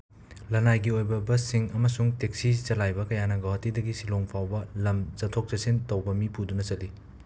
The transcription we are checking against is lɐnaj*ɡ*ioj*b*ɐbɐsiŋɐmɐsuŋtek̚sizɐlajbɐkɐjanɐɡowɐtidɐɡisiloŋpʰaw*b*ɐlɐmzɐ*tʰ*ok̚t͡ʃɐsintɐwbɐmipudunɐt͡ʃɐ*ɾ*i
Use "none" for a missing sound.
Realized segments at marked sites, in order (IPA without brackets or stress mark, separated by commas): ɡ, b, b, tʰ, l